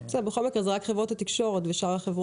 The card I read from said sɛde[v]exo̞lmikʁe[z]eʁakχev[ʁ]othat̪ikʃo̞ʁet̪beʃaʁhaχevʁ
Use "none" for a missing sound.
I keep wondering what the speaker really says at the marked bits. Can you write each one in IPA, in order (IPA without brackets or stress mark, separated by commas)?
b, z, ʁ